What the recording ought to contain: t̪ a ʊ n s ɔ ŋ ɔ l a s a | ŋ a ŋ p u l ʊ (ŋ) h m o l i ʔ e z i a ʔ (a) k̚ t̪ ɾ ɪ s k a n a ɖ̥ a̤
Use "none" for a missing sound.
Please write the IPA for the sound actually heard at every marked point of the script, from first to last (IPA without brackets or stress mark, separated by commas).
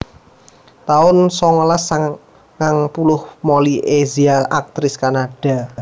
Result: none, a